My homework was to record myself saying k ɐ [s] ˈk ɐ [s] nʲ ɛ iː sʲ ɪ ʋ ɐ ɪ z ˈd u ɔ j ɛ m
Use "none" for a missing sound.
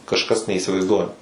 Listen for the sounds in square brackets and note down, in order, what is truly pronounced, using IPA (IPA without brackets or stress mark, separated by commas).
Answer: ʃ, s